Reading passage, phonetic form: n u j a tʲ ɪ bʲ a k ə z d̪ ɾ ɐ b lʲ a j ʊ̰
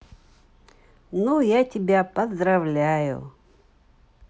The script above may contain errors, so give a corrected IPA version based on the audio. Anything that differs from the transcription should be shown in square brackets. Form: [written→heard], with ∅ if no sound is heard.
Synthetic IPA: n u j a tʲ ɪ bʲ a [k→p] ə z d̪ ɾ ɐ [b→v] lʲ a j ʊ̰